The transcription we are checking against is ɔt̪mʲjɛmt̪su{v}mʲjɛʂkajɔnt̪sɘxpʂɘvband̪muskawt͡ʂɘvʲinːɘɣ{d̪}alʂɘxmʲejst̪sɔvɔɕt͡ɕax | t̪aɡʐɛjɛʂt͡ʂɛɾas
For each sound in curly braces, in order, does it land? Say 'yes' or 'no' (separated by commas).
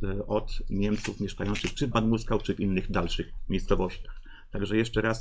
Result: no, yes